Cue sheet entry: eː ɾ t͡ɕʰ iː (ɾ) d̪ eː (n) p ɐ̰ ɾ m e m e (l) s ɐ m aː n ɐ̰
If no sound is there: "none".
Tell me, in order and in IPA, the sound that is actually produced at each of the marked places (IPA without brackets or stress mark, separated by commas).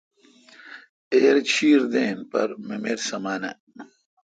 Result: ɾ, n, ɾ